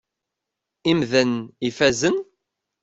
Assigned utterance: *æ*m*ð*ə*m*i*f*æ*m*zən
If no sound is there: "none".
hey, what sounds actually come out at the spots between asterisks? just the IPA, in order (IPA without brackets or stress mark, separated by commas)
i, ð, n, f, none